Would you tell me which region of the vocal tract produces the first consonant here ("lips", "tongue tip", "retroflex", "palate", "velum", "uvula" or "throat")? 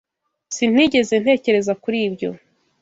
tongue tip